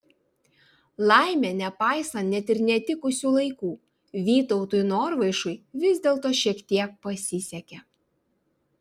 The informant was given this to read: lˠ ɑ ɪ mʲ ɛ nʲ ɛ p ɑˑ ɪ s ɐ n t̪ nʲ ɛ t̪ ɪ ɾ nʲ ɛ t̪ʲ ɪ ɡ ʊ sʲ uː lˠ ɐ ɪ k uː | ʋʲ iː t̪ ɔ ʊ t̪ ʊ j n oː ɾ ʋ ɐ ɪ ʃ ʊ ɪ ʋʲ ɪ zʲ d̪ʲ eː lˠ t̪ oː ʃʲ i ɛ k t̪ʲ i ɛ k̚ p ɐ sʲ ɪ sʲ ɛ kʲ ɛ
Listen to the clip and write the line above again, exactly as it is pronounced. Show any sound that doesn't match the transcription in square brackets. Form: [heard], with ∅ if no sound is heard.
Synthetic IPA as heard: lˠ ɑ ɪ mʲ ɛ nʲ ɛ p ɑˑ ɪ s ɐ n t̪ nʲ ɛ t̪ ɪ ɾ nʲ ɛ t̪ʲ ɪ [k] ʊ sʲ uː lˠ ɐ ɪ k uː | ʋʲ iː t̪ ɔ ʊ t̪ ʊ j n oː ɾ ʋ ɐ ɪ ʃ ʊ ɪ ʋʲ ɪ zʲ d̪ʲ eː lˠ t̪ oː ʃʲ i ɛ k t̪ʲ i ɛ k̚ p ɐ sʲ ɪ sʲ ɛ kʲ ɛ